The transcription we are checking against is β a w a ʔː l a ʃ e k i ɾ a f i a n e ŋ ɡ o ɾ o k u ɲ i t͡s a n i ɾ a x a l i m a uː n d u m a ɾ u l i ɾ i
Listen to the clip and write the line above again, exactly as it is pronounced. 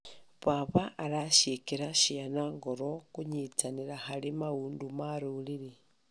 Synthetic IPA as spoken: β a β a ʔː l a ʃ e k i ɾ a ʃ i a n a ŋ ɡ o ɾ o k u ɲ i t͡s a n i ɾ a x a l i m a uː n d u m a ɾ u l i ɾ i